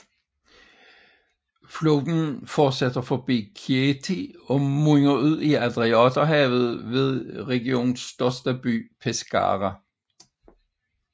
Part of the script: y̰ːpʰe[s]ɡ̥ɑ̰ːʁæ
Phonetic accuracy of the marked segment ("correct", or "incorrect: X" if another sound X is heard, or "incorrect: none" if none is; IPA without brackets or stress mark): correct